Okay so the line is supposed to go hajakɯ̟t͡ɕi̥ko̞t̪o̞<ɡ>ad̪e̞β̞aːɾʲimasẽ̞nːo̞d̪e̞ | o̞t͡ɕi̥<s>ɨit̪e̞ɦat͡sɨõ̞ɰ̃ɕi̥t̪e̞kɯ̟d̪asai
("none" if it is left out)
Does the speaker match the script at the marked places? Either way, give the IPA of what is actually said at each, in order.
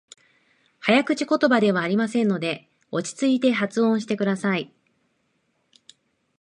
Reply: b, t͡s

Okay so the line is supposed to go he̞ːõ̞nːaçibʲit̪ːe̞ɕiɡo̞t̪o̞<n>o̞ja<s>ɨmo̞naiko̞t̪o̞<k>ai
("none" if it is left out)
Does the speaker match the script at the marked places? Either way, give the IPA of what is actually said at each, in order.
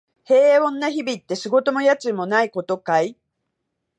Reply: m, t͡s, k

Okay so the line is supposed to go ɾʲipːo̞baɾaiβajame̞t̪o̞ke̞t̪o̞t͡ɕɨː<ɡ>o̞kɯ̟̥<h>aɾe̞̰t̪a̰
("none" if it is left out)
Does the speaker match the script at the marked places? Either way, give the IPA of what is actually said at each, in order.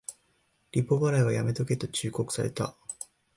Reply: k, s

